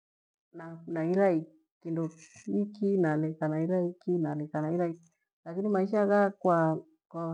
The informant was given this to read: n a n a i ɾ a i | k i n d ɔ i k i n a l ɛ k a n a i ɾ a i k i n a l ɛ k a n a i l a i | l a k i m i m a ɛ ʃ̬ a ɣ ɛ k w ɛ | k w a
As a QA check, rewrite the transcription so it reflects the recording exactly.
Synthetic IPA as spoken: n a n a i ɾ a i | k i n d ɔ i k i n a l ɛ k a n a i ɾ a i k i n a l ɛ k a n a i ɾ a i | l a k i n i m a i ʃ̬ a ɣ a k w a | k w a